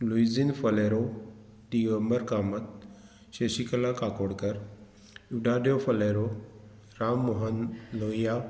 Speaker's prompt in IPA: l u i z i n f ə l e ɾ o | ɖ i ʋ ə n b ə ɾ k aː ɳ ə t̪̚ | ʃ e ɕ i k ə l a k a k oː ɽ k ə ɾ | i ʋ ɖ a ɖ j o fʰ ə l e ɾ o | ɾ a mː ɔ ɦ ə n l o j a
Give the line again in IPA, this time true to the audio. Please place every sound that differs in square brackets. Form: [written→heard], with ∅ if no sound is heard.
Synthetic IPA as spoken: l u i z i n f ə l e ɾ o | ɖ i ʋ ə [n→m] b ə ɾ k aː [ɳ→m] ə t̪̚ | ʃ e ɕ i k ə l a k a k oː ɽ k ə ɾ | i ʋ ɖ a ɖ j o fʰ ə l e ɾ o | ɾ a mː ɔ ɦ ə n l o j a